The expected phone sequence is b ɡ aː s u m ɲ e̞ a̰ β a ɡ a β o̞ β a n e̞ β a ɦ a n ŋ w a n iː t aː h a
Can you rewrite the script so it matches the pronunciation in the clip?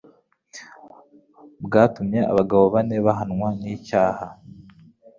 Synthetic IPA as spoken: b ɡ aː t u m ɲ e̞ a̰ β a ɡ a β o̞ β a n e̞ β a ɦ a n ŋ w a n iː c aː h a